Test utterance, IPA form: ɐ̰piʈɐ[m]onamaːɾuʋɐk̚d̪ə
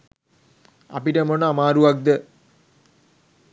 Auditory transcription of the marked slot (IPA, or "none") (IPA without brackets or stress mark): m